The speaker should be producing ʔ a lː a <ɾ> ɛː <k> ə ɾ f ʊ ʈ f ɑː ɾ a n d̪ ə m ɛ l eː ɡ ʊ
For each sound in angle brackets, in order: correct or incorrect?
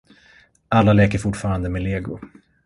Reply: incorrect: l, correct

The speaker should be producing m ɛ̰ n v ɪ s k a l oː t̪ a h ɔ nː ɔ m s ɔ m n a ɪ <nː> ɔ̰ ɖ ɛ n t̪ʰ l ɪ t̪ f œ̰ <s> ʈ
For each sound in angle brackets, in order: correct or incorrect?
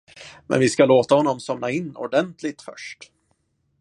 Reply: correct, incorrect: ʂ

